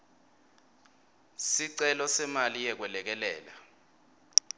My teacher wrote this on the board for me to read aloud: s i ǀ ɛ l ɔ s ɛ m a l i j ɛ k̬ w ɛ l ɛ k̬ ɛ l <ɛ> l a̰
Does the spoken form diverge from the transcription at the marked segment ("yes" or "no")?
yes